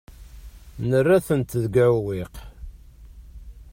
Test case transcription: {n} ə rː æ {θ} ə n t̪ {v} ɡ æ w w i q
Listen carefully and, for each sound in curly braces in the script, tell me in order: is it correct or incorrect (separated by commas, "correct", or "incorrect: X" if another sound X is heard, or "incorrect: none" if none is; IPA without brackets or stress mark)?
correct, correct, incorrect: ð